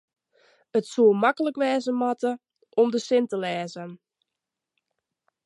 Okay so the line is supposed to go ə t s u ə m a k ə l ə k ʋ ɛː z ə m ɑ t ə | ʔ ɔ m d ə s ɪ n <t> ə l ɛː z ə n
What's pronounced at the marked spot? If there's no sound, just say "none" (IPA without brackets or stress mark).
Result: t